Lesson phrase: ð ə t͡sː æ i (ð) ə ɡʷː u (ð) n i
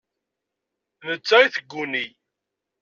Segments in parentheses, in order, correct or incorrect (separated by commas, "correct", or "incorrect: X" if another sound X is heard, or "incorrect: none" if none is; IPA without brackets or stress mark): incorrect: θ, incorrect: none